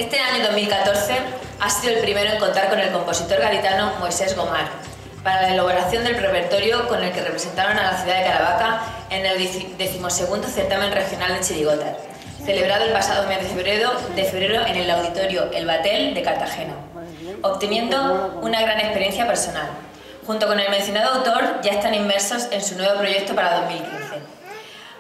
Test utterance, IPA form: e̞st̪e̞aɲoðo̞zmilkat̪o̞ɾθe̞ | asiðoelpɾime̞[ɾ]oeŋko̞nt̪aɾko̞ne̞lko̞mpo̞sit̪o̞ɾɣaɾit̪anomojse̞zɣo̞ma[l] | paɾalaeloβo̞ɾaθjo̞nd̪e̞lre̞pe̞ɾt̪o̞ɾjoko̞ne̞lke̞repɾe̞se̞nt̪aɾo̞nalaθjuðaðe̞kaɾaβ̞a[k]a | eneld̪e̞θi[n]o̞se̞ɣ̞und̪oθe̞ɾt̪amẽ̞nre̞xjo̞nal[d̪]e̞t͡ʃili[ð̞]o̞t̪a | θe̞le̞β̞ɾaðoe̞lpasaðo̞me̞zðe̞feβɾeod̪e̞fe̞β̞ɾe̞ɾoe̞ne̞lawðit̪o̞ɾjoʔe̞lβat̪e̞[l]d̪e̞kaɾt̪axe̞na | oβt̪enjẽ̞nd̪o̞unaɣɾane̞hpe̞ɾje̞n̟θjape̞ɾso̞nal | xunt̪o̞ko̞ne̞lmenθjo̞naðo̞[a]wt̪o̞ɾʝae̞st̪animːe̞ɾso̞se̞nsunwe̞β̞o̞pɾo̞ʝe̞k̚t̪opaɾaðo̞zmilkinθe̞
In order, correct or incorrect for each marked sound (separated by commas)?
correct, incorrect, correct, incorrect, correct, incorrect, correct, correct